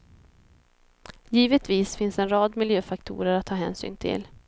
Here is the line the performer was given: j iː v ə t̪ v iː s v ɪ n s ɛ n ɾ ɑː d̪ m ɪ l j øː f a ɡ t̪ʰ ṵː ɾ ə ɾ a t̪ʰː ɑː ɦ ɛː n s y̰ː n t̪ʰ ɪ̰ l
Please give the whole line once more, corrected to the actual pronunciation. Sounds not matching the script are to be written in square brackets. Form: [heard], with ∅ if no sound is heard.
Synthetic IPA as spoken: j iː v ə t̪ v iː s [f] ɪ n s ɛ n ɾ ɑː d̪ m ɪ l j øː f a [k] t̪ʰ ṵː ɾ ə ɾ a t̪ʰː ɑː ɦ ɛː n s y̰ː n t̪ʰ ɪ̰ l